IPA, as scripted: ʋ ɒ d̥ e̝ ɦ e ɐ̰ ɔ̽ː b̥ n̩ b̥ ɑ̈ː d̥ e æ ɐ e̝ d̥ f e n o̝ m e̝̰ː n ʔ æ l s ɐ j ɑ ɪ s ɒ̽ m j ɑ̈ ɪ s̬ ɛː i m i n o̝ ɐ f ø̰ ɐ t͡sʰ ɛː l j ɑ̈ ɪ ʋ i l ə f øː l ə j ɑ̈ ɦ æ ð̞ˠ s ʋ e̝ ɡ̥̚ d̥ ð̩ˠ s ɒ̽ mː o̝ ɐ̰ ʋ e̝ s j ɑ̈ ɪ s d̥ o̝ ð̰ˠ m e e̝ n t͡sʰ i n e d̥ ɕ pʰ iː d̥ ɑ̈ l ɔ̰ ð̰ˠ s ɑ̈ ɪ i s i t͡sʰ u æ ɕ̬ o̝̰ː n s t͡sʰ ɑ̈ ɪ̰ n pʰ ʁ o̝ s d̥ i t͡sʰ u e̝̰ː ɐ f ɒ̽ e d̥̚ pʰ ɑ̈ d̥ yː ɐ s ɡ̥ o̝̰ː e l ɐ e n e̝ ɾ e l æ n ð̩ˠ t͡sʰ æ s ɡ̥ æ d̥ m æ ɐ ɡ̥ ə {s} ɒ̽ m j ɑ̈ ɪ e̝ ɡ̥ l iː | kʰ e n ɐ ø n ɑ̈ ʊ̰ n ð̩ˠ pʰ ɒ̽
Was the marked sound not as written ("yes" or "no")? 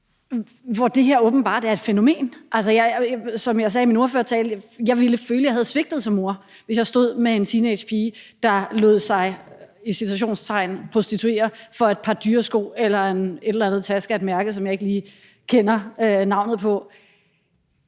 no